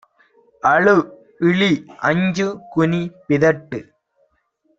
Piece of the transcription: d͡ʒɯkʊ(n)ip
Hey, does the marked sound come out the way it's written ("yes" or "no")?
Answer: yes